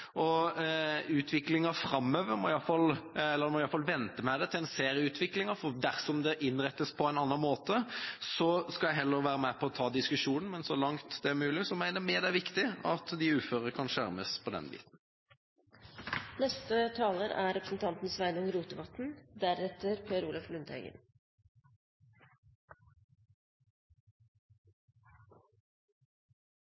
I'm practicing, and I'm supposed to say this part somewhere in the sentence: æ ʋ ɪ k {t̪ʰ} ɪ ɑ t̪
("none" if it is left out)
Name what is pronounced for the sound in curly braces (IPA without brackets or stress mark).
t̪